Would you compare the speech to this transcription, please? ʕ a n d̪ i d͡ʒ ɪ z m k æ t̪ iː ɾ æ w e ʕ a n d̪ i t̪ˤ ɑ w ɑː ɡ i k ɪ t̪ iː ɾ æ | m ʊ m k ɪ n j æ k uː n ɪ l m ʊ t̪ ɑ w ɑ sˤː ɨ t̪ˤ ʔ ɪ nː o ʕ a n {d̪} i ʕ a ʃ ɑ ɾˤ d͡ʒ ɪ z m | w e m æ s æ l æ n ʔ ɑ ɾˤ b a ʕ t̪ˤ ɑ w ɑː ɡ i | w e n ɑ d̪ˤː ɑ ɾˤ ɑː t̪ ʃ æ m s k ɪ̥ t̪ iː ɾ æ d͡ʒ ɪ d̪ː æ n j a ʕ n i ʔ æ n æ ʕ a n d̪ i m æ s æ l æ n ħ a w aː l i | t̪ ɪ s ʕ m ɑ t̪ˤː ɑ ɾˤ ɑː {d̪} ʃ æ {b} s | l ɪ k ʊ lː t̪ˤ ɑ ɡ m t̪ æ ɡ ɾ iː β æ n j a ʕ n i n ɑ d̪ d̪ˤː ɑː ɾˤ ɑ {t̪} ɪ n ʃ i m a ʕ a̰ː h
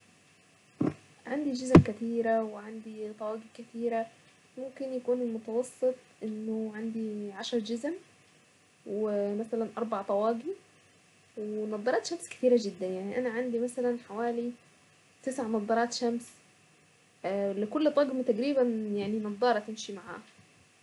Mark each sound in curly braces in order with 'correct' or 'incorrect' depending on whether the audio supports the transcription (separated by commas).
correct, incorrect, incorrect, correct